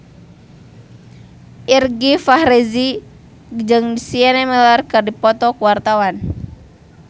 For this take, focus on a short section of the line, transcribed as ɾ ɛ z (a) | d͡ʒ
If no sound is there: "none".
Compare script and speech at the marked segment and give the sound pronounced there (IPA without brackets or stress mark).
i